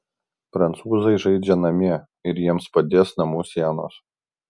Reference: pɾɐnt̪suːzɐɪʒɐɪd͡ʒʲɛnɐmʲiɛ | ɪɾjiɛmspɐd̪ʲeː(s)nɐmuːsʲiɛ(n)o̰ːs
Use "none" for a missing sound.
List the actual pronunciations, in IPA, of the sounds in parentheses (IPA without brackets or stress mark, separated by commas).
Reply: s, n